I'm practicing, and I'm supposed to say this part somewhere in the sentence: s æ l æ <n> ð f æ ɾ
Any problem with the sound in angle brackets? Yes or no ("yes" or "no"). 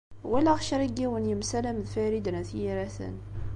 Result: yes